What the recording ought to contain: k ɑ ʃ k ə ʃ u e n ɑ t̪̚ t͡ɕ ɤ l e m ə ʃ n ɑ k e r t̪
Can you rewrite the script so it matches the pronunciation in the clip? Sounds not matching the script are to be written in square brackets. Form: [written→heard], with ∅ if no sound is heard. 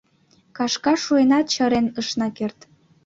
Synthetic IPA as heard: k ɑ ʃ k [ə→ɑ] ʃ u e n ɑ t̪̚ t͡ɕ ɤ [l→ɾ] e [m→n] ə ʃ n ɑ k e r t̪